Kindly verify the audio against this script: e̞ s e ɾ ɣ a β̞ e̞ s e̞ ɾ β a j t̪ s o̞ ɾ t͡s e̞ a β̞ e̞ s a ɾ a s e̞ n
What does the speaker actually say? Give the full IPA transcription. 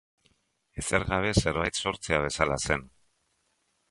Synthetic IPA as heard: e̞ s e ɾ ɣ a β̞ e̞ s e̞ ɾ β a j t̪ s o̞ ɾ t͡s e̞ a β̞ e̞ s a l a s e̞ n